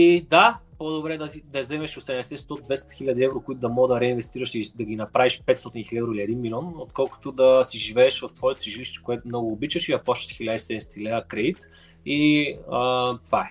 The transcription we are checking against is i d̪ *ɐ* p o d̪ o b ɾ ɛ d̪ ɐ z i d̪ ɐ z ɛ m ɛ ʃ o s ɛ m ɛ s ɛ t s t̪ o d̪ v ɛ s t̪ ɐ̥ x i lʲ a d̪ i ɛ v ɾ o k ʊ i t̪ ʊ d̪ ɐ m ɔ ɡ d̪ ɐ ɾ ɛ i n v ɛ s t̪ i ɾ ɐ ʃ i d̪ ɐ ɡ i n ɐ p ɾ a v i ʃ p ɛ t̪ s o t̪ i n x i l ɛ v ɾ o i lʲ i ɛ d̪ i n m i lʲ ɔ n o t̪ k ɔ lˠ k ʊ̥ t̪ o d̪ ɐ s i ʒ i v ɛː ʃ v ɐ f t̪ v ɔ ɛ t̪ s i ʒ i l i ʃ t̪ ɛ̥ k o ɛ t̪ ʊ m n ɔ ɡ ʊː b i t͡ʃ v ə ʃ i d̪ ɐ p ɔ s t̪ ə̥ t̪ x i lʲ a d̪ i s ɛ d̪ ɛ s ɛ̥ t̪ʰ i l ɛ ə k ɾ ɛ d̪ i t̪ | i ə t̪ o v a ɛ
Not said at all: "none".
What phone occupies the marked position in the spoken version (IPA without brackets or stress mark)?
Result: a